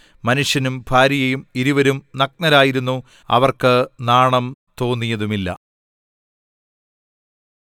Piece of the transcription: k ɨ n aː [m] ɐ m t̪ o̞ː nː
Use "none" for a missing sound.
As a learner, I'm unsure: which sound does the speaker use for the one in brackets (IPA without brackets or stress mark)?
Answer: ɳ